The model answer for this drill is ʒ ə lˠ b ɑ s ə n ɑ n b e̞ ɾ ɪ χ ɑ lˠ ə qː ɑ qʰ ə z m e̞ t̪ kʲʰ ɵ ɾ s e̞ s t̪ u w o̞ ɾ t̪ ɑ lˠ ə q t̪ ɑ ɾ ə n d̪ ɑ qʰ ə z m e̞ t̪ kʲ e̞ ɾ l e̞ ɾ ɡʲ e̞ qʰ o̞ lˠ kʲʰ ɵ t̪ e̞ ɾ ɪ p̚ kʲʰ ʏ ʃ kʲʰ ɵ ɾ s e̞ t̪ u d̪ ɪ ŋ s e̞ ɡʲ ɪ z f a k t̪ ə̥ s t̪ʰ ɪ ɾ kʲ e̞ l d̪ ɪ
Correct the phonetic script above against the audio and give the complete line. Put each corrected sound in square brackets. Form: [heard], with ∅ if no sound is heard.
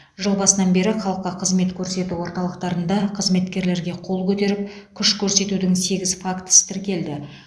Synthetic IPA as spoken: ʒ ə lˠ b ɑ s ə n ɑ n b e̞ ɾ ɪ χ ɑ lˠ ə qː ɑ qʰ ə z m e̞ t̪ kʲʰ ɵ ɾ s e̞ [∅] t̪ u w o̞ ɾ t̪ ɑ lˠ ə q t̪ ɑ ɾ ə n d̪ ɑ qʰ ə z m e̞ t̪ kʲ e̞ ɾ l e̞ ɾ ɡʲ e̞ qʰ o̞ lˠ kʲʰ ɵ t̪ e̞ ɾ ɪ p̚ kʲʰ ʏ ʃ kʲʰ ɵ ɾ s e̞ t̪ u d̪ ɪ ŋ s e̞ ɡʲ ɪ z f a k t̪ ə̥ s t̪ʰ ɪ ɾ kʲ e̞ l d̪ ɪ

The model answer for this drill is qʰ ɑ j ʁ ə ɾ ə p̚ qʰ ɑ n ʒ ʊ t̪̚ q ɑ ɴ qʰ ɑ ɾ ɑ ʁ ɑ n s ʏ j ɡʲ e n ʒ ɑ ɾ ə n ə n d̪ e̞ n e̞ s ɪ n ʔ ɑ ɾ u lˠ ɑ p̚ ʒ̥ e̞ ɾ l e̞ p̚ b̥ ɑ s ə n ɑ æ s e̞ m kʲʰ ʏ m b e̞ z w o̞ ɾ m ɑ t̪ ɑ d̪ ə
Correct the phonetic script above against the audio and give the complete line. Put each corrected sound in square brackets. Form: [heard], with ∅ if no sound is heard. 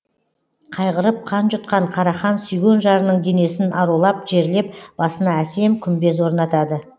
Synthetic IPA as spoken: qʰ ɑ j ʁ ə ɾ ə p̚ qʰ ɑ n ʒ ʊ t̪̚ q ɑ ɴ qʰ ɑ ɾ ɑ [χ] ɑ n s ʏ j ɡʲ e n ʒ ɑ ɾ ə n ə [ɴ] d̪ e̞ n e̞ s ɪ n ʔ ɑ ɾ u lˠ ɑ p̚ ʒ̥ e̞ ɾ l e̞ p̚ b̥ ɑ s ə n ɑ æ s e̞ m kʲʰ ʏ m b e̞ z w o̞ ɾ [n] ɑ t̪ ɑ d̪ ə

